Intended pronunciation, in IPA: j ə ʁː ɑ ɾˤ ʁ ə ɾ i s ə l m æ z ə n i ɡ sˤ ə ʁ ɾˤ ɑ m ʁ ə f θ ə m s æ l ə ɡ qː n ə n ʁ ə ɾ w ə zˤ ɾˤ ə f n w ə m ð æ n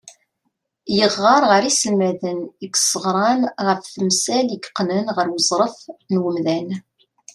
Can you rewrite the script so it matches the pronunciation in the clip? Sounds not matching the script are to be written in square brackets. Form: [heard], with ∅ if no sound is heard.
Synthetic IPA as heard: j ə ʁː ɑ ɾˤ ʁ ə ɾ i s ə l m æ [ð] ə n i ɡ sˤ ə ʁ ɾˤ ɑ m ʁ ə f θ ə m s æ l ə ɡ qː n ə n ʁ ə ɾ w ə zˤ ɾˤ ə f n w ə m ð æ n